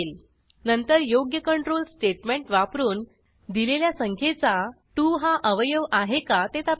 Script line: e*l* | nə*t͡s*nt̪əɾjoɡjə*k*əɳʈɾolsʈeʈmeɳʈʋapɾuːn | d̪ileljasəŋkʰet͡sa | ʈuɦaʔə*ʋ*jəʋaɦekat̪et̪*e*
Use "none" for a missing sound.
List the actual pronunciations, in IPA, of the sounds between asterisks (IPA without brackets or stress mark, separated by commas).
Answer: l, none, k, ʋ, a